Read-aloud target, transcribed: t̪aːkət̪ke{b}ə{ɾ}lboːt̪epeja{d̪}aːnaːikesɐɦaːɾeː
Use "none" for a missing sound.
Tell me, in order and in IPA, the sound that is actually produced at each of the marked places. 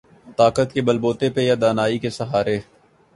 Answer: b, none, d̪

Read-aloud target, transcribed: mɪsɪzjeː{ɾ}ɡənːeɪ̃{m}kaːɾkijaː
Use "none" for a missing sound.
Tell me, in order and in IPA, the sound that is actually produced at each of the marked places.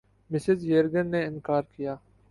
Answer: ɾ, n

